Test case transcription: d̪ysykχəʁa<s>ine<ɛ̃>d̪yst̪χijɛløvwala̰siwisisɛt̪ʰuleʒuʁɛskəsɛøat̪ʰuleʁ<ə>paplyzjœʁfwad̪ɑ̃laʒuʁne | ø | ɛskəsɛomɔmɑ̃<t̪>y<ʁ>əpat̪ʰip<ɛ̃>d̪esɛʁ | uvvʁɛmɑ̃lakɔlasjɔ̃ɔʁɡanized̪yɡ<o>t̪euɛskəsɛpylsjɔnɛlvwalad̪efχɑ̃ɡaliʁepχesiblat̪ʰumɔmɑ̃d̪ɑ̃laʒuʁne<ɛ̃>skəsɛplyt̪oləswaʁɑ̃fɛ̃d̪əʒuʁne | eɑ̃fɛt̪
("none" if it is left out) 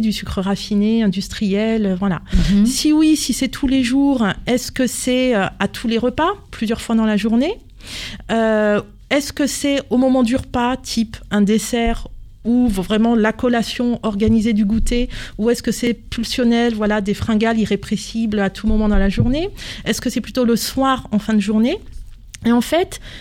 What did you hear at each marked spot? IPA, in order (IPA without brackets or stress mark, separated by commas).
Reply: f, ɛ̃, ə, d̪, ʁ, ɛ̃, u, ɛ